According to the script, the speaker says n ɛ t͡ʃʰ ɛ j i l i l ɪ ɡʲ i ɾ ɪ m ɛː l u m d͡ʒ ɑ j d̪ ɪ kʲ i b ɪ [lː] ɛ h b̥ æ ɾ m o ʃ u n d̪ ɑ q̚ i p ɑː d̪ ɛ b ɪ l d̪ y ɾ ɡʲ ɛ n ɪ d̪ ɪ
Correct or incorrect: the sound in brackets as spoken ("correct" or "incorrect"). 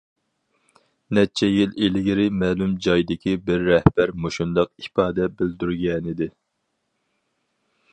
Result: incorrect